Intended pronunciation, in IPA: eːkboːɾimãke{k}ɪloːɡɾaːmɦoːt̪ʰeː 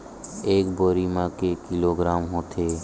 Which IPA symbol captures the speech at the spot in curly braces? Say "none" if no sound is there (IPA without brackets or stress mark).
k